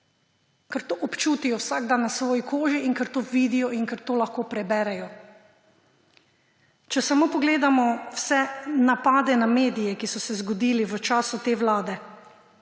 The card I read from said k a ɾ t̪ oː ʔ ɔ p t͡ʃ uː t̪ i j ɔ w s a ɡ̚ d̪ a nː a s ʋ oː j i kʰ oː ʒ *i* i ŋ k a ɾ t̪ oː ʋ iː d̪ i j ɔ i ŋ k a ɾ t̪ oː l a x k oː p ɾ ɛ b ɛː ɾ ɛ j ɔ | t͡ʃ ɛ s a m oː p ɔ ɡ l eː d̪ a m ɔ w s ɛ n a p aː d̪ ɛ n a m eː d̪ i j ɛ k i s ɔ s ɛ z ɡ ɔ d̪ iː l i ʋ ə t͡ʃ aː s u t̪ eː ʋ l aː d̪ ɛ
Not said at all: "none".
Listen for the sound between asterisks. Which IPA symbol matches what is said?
i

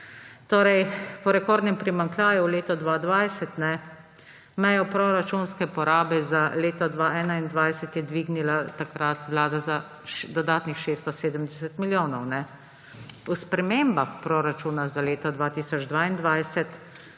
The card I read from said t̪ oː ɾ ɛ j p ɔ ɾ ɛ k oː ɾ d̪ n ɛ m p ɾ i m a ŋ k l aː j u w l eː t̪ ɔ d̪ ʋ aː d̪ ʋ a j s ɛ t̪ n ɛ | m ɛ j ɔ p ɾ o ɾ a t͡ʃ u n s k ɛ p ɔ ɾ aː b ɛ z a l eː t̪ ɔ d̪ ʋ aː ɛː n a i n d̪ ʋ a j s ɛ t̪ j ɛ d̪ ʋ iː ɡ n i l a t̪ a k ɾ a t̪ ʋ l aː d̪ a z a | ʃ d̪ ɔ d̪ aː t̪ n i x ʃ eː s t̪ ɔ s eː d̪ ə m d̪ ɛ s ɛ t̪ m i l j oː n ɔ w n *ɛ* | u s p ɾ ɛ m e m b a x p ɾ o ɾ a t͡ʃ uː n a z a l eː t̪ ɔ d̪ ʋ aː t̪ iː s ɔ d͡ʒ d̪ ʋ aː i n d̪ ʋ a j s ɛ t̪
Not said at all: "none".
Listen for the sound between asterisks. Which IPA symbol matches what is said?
ɛ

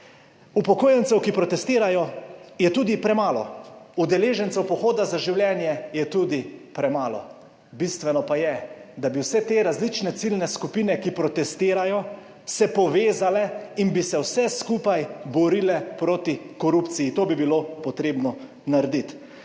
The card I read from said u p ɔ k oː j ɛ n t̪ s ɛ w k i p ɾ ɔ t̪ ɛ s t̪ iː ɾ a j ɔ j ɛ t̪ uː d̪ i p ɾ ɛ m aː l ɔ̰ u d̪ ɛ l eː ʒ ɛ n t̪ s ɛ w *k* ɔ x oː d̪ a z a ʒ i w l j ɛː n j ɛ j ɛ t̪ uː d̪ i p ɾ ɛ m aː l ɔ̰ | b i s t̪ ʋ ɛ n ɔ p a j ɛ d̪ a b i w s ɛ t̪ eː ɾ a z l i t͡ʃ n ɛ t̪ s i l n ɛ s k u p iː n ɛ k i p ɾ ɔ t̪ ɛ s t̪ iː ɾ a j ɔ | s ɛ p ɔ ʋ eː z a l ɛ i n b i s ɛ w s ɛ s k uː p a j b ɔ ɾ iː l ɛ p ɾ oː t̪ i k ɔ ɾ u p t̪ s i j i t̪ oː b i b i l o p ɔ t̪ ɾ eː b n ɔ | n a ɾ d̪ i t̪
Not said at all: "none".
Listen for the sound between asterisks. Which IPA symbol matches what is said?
p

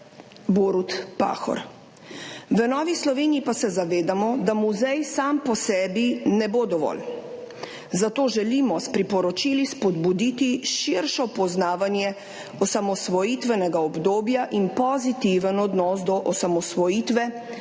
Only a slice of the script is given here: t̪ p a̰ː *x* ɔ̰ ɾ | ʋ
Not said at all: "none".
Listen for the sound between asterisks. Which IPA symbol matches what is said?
x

